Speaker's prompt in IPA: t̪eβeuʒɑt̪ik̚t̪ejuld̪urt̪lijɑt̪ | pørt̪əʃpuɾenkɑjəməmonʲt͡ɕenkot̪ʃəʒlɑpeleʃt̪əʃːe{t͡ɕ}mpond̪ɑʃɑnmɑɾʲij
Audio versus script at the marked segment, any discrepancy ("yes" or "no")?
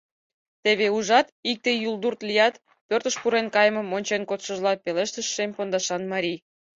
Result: yes